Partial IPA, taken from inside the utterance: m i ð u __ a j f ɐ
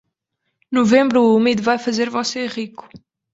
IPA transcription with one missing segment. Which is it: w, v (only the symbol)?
v